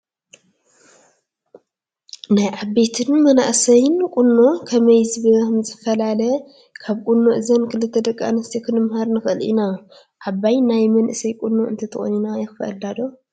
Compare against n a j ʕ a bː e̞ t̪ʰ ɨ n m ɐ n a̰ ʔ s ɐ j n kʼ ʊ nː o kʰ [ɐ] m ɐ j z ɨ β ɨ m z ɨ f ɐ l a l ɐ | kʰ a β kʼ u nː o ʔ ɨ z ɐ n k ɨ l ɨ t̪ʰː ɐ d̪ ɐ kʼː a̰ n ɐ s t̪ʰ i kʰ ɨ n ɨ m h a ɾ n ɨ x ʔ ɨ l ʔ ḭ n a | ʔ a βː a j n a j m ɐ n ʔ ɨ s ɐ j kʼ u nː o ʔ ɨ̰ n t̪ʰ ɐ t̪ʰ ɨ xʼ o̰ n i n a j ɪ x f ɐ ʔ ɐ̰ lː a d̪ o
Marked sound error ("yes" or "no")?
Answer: no